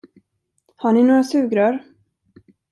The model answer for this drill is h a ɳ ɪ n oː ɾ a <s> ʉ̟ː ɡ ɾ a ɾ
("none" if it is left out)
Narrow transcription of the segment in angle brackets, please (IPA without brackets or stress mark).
s